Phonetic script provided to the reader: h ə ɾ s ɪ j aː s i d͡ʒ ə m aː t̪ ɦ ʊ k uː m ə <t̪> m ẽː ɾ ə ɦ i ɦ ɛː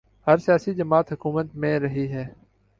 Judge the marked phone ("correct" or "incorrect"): correct